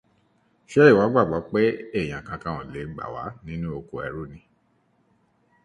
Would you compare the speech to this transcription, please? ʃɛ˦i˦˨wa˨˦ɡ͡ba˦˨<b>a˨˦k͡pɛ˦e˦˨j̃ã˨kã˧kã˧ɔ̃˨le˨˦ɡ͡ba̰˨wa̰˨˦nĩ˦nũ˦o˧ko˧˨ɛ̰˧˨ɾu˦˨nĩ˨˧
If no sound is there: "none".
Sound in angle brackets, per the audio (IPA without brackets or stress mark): ɡ͡b